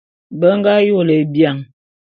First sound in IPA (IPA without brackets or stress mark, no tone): b